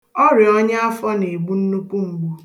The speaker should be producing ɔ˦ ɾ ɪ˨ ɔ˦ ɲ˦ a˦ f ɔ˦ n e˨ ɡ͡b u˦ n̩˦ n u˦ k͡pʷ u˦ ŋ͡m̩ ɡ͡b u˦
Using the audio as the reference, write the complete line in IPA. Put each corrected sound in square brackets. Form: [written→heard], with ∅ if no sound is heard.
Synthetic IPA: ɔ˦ ɾ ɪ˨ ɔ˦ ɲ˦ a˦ f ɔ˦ n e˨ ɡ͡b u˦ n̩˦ n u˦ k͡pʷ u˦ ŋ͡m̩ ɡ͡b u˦